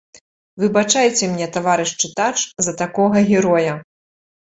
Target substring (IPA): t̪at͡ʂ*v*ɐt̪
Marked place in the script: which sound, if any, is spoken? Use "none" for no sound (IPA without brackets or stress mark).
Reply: z